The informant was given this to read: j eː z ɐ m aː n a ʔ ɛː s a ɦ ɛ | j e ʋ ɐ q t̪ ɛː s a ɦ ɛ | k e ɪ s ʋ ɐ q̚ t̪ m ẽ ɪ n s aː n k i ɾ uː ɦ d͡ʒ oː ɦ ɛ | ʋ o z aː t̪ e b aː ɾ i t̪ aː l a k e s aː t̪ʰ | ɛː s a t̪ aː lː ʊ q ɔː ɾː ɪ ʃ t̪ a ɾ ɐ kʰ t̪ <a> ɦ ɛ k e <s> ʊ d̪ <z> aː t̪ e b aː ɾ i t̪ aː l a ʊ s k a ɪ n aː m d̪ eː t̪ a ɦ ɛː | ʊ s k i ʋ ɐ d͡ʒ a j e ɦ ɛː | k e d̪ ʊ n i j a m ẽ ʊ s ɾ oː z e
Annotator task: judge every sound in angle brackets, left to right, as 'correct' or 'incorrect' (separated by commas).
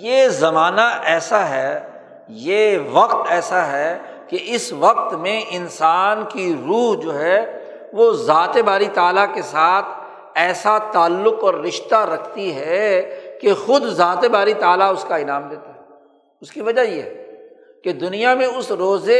incorrect, incorrect, correct